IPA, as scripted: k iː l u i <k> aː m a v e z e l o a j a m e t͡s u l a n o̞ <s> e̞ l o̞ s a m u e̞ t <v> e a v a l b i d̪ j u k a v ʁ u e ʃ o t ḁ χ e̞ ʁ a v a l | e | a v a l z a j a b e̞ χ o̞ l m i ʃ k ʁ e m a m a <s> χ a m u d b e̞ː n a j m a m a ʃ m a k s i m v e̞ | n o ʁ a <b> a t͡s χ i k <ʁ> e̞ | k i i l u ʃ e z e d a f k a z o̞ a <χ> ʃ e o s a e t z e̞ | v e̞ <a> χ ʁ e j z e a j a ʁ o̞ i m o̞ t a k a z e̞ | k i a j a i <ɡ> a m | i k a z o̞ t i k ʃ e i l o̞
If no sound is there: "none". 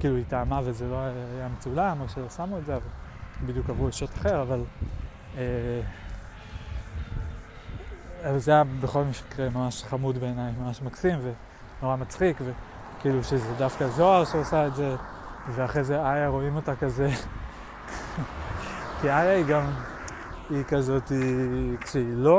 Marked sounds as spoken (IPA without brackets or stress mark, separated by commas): t, ʃ, z, ʃ, m, v, ʁ, a, ɡ